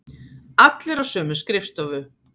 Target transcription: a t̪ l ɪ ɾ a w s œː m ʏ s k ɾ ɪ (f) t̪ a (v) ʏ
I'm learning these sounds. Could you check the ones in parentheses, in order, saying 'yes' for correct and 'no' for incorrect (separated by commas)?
yes, yes